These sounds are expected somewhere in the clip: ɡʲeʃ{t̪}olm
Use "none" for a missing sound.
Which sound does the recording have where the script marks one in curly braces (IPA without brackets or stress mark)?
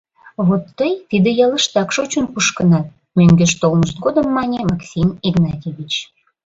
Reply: t̪